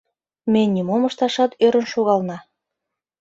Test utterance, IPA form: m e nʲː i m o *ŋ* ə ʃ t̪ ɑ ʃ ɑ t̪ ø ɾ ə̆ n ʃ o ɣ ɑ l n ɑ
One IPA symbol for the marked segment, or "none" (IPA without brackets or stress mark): m